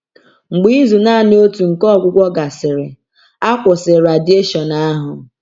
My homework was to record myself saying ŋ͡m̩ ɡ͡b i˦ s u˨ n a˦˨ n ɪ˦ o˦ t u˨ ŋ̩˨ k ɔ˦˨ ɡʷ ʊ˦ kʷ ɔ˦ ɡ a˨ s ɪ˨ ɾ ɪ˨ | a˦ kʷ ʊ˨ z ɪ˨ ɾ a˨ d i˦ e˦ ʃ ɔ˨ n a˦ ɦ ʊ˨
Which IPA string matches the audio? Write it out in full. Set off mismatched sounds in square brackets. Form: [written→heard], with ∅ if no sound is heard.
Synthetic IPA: ŋ͡m̩ ɡ͡b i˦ [s→z] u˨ n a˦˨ n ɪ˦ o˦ t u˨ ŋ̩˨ k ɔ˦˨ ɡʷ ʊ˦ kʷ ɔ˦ ɡ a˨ s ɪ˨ ɾ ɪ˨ | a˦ kʷ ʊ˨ [z→s] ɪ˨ ɾ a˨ d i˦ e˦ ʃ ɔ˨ n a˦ ɦ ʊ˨